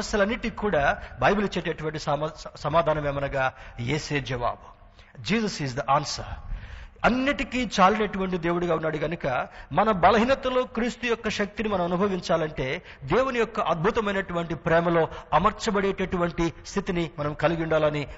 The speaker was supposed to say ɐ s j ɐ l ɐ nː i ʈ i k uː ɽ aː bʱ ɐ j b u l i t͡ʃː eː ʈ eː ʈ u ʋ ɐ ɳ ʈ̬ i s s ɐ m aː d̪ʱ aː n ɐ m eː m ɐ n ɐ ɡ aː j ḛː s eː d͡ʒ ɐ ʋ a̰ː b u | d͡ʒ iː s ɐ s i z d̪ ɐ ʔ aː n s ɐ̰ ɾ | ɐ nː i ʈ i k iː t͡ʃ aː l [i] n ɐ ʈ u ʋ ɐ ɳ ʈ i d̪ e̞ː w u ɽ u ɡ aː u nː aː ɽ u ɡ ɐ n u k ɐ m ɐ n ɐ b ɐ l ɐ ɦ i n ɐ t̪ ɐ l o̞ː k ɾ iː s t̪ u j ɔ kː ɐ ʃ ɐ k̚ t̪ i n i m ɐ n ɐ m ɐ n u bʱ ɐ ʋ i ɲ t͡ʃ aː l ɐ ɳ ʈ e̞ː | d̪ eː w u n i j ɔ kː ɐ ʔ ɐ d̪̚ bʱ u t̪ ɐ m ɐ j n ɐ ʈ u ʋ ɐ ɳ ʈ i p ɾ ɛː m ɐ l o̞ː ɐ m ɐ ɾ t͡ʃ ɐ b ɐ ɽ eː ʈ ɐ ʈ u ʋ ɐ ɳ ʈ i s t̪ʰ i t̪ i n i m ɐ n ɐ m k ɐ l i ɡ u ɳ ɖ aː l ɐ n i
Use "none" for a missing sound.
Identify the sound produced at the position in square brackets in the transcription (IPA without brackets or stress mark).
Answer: i